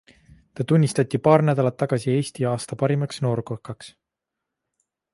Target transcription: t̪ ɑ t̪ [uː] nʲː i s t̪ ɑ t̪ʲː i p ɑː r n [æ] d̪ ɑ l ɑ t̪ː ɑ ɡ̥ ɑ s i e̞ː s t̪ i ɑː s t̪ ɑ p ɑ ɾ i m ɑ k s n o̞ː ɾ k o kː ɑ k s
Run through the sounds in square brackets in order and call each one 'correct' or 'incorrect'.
incorrect: u, correct

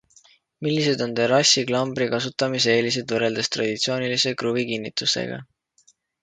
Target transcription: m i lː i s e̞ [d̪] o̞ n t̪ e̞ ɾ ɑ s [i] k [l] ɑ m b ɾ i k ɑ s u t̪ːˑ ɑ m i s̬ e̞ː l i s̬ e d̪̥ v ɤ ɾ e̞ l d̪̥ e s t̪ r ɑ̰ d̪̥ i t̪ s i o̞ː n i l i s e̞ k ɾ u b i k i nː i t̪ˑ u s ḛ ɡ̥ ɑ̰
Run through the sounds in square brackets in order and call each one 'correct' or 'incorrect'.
correct, correct, correct

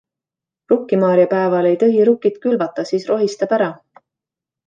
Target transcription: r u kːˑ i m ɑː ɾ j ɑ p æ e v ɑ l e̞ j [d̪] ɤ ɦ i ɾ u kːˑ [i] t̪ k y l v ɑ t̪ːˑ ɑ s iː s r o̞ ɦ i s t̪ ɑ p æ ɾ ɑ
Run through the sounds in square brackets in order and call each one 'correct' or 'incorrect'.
incorrect: t̪, correct

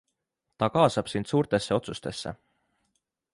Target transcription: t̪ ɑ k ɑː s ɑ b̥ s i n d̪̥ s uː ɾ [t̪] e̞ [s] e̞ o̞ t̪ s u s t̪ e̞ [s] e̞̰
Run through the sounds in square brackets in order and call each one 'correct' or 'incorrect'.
correct, incorrect: sː, incorrect: sː

